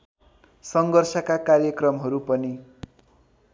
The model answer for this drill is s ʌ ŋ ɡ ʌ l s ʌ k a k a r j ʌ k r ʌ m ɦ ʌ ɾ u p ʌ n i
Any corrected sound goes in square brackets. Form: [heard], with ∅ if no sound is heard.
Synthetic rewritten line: s ʌ ŋ ɡ ʌ [r] s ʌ k a k a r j ʌ k r ʌ m ɦ ʌ ɾ u p ʌ n i